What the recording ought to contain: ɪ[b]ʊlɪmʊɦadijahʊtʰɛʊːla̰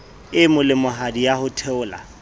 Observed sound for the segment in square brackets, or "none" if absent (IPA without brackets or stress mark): m